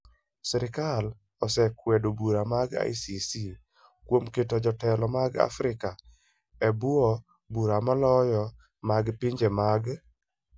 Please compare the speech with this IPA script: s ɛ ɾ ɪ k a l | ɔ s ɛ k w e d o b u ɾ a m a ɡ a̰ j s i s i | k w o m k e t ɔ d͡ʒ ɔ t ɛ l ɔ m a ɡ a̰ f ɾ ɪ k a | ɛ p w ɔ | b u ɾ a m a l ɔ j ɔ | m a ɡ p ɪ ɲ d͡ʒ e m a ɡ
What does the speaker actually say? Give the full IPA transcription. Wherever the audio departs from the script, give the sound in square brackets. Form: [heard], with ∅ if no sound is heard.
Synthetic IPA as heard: s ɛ ɾ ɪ k a l | ɔ s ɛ k w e d o b u ɾ a m a ɡ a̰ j s i s i | k w o m k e t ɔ d͡ʒ ɔ t ɛ l ɔ m a ɡ a̰ f ɾ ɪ k a | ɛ [b] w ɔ | b u ɾ a m a l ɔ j ɔ | m a ɡ p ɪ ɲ d͡ʒ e m a ɡ